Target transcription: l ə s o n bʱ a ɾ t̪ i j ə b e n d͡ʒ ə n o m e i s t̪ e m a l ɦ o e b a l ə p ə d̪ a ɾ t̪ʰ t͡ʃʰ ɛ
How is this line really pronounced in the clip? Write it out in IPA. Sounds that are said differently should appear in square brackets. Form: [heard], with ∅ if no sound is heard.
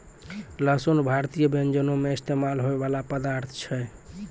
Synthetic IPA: l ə s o n bʱ a ɾ t̪ i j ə b e n d͡ʒ ə n o m e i s t̪ e m a l ɦ o e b a l [a] p ə d̪ a ɾ t̪ʰ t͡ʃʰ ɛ